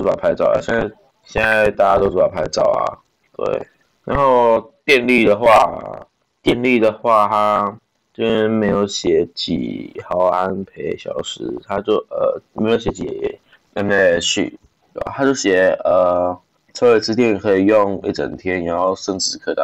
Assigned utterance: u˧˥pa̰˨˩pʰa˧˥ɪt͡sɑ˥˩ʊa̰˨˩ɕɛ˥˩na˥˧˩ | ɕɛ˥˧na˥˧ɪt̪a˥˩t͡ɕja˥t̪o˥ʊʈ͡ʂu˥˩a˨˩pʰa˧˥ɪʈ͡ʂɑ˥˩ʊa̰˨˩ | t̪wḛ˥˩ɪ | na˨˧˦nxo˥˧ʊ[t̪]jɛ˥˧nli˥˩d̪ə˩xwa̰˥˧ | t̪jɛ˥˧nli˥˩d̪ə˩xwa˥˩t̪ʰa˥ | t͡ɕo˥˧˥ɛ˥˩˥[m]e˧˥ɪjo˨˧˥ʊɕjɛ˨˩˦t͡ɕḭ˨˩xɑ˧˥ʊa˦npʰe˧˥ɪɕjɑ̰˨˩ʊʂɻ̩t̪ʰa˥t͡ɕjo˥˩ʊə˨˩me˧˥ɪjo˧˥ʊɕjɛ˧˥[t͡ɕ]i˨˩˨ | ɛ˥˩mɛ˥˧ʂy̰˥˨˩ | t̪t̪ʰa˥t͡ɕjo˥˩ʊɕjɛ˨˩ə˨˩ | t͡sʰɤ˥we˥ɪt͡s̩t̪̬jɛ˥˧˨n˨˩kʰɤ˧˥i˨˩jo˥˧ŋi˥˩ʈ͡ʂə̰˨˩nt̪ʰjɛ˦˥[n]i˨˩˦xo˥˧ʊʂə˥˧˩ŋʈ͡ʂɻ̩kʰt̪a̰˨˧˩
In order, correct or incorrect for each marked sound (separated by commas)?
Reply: correct, correct, correct, correct